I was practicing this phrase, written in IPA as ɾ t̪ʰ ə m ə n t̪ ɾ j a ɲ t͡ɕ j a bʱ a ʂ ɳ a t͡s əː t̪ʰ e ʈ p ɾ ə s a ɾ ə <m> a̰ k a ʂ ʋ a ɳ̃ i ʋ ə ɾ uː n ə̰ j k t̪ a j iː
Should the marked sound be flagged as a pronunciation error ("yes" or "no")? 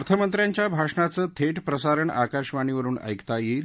yes